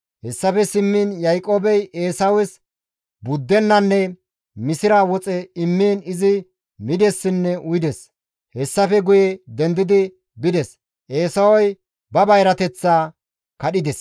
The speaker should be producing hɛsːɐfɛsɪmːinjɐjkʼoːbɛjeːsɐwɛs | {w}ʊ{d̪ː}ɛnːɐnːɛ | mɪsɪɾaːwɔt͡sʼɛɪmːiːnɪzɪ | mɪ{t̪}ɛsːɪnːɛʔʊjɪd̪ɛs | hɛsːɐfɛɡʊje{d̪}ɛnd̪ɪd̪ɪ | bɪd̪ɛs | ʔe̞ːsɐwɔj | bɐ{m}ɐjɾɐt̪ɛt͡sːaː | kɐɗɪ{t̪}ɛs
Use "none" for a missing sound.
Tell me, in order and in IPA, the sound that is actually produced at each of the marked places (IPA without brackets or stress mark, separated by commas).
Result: b, d̪ː, d̪, d̪, b, d̪